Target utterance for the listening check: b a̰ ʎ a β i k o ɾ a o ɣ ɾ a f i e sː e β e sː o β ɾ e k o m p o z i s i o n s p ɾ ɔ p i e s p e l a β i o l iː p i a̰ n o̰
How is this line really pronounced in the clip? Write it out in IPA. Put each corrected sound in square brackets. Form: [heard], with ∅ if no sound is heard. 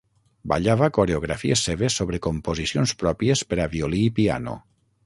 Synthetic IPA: b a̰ ʎ a β [a] k o ɾ [e] o ɣ ɾ a f i e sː e β e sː o β ɾ e k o m p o z i s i o n s p ɾ ɔ p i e s p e [ɾ] a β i o l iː p i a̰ n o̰